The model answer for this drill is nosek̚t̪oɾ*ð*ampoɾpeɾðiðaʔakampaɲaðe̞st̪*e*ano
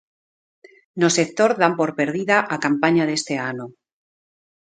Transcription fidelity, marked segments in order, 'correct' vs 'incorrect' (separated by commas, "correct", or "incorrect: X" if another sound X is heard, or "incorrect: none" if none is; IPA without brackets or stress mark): correct, correct